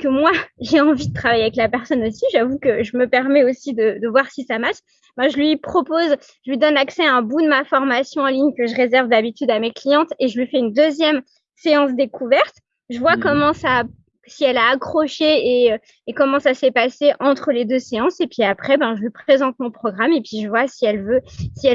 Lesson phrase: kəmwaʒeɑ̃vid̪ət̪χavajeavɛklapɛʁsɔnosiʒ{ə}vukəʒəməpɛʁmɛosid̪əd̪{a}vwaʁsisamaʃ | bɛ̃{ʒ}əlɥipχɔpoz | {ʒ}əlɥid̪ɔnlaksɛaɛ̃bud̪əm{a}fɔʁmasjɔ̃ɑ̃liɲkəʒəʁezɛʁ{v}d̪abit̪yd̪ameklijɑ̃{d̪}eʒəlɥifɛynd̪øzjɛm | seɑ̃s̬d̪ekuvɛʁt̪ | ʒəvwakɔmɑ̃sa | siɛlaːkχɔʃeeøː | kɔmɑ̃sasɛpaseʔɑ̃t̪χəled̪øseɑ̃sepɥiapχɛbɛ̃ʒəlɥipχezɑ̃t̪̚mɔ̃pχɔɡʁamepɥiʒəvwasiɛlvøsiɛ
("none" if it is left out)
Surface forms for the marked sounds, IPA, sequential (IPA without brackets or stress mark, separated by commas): a, ə, ʒ, ʒ, a, v, t̪